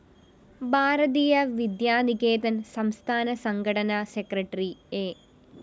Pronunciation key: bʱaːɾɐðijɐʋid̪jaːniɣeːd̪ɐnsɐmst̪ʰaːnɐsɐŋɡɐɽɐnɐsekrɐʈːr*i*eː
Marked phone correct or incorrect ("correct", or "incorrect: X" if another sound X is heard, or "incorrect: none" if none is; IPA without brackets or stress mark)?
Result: correct